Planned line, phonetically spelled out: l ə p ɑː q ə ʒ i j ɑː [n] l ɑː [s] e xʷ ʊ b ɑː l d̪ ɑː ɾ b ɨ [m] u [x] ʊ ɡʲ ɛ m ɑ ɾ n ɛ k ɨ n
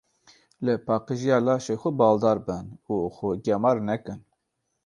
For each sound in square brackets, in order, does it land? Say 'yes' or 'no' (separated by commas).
no, no, no, yes